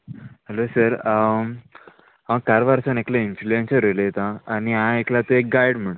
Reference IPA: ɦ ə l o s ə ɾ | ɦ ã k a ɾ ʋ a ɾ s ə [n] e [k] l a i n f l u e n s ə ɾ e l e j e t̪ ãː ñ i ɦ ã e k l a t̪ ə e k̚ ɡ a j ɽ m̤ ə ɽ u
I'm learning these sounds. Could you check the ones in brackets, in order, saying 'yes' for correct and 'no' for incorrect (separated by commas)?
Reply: yes, yes